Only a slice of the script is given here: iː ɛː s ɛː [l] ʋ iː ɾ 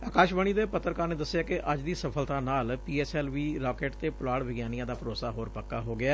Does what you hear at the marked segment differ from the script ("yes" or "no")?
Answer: no